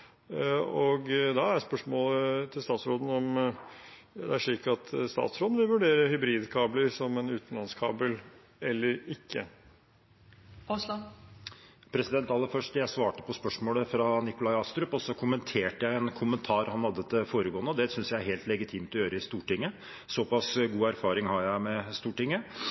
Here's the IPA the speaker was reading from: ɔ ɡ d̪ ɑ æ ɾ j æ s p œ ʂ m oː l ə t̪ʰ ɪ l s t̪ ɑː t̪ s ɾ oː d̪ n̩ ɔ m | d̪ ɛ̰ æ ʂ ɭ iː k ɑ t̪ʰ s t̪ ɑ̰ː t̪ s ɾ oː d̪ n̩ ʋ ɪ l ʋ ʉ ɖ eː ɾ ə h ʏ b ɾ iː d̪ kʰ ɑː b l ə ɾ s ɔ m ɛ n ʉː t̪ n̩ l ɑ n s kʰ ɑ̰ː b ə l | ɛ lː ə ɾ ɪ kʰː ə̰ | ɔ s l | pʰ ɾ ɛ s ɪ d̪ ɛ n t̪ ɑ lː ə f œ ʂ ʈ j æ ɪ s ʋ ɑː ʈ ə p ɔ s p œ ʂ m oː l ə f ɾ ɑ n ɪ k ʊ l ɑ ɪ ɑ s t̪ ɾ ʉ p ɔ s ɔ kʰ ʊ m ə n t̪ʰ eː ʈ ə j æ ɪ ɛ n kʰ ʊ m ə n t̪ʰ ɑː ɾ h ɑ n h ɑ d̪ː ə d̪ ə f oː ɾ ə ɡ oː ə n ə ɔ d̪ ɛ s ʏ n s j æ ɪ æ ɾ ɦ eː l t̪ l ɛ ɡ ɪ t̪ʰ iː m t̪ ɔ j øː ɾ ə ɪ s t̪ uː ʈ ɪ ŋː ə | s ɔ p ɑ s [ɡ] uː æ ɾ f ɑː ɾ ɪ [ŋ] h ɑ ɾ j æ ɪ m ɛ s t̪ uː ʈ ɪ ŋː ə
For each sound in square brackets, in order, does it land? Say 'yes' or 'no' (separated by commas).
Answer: yes, yes